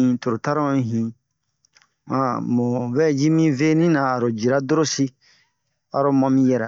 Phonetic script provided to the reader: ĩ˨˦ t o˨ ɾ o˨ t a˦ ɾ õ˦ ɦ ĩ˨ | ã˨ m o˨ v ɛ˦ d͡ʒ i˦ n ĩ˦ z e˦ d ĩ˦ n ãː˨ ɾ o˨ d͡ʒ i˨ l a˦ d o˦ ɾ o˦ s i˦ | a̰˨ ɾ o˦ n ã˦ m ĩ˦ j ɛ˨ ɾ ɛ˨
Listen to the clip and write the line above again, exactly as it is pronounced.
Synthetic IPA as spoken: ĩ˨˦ t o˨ ɾ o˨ t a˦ ɾ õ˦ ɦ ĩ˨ | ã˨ m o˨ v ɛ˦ d͡ʒ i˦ m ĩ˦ v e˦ n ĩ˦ n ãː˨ ɾ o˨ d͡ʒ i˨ ɾ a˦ d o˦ ɾ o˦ s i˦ | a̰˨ ɾ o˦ m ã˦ m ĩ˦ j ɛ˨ ɾ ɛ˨